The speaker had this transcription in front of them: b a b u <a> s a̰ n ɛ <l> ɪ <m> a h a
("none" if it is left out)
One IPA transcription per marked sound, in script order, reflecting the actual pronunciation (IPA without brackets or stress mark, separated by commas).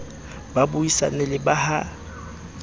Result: i, l, b